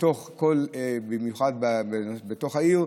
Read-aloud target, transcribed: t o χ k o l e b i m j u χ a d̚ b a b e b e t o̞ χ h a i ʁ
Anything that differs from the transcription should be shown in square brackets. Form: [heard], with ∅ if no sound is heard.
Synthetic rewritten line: t o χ k o l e b i m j u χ a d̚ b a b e b e t o̞ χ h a i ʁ